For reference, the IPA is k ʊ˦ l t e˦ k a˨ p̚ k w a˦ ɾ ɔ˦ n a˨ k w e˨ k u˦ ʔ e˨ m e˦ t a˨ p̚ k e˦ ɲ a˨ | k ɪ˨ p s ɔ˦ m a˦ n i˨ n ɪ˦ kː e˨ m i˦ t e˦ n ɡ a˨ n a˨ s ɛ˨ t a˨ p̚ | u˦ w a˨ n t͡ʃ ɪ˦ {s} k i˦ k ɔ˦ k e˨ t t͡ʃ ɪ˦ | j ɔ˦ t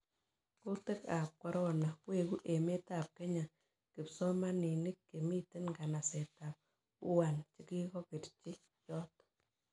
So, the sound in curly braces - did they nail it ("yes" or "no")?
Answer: no